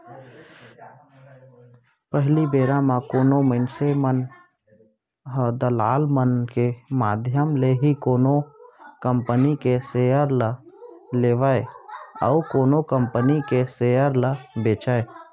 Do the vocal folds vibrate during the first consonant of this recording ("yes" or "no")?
no